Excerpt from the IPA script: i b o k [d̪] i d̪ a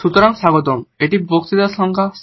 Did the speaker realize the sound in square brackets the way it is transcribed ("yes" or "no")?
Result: no